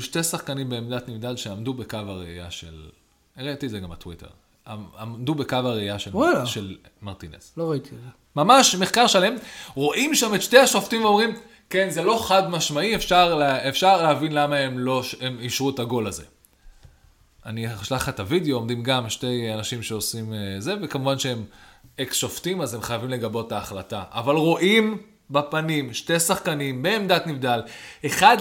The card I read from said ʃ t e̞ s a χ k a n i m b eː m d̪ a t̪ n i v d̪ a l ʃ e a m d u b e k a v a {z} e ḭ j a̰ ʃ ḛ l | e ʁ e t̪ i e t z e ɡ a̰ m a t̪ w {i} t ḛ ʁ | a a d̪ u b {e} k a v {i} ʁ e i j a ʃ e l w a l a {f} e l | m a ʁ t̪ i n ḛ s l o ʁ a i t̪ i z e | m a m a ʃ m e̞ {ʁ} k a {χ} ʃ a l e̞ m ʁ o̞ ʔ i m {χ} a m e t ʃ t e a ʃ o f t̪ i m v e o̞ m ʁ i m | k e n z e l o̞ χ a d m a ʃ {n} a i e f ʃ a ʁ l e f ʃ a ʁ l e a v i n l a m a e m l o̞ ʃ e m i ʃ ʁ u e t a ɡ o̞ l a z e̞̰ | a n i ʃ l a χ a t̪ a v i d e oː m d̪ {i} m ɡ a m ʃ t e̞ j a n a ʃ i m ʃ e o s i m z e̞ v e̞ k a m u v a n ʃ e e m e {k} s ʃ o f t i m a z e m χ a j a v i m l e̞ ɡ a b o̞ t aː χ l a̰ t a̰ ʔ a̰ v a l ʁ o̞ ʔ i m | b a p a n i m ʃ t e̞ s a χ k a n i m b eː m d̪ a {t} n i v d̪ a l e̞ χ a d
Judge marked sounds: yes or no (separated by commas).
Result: no, yes, yes, no, no, no, no, no, no, yes, yes, yes